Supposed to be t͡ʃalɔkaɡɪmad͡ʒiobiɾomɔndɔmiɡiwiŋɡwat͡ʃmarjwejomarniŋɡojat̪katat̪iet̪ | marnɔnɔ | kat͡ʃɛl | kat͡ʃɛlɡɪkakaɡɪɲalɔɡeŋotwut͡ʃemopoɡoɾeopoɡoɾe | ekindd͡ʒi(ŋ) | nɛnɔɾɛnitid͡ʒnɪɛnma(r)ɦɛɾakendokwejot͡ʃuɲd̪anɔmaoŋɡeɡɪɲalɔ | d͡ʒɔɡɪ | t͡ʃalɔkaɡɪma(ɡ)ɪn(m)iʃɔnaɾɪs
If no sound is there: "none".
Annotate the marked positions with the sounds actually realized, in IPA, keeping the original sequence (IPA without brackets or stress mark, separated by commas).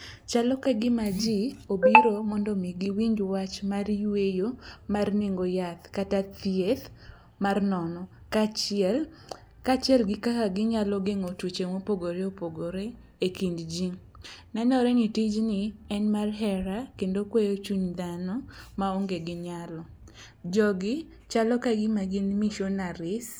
ŋ, r, ɡ, m